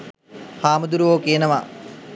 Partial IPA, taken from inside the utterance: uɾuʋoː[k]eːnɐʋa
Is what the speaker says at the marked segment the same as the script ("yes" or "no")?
yes